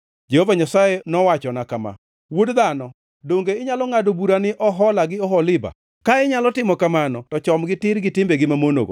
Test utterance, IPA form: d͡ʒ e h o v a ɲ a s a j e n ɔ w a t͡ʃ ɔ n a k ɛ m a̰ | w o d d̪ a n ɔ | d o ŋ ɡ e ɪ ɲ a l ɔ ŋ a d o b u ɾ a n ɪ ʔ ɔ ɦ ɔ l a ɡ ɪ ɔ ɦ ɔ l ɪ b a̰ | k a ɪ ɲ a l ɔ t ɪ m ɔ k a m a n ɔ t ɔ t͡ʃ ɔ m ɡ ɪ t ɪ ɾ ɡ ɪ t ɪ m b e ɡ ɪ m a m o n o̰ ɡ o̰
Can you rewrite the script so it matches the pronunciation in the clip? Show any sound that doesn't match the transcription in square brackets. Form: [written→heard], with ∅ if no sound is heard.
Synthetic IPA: d͡ʒ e h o v a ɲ a s a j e n ɔ w a t͡ʃ ɔ n a k [ɛ→a] m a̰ | w o d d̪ a n ɔ | d o ŋ ɡ e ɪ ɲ a l ɔ ŋ a d o b u ɾ a n ɪ ʔ ɔ ɦ ɔ l a ɡ ɪ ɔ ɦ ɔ l ɪ b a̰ | k a ɪ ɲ a l ɔ t ɪ m ɔ k a m a n ɔ t ɔ t͡ʃ ɔ m ɡ ɪ t ɪ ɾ ɡ ɪ t ɪ m b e ɡ ɪ m a m o n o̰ ɡ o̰